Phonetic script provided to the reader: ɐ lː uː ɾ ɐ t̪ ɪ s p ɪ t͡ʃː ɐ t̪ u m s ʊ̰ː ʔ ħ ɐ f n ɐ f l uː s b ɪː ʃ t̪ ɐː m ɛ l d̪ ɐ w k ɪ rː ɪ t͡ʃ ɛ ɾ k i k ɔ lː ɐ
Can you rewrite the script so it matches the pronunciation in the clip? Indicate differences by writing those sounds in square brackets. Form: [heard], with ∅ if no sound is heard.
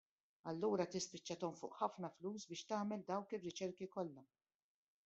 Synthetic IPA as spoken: ɐ lː uː ɾ ɐ t̪ ɪ s p ɪ t͡ʃː ɐ t̪ [ɔ] m [f] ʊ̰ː ʔ ħ ɐ f n ɐ f l uː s b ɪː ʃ t̪ ɐː m ɛ l d̪ ɐ w k ɪ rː ɪ t͡ʃ ɛ ɾ k i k ɔ lː ɐ